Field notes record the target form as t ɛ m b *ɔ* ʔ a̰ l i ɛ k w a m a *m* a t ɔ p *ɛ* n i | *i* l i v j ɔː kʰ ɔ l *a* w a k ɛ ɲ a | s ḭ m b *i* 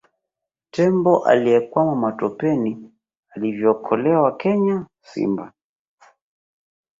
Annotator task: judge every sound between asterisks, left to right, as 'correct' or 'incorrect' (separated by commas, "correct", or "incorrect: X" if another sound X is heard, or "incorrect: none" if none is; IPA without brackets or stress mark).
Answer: correct, correct, correct, incorrect: a, incorrect: ɛ, incorrect: a